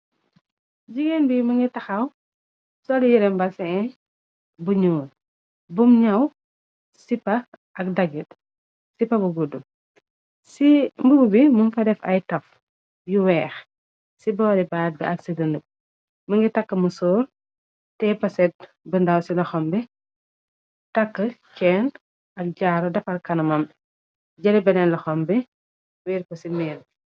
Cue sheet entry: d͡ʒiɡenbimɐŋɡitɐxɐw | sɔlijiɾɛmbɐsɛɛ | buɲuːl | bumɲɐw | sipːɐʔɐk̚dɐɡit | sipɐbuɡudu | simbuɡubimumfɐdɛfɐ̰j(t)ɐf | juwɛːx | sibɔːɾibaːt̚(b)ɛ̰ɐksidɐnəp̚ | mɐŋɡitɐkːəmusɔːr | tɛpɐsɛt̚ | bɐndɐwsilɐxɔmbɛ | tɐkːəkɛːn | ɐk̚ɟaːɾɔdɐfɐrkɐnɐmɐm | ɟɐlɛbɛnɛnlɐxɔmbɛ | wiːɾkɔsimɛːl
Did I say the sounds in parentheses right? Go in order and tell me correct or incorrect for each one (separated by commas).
correct, correct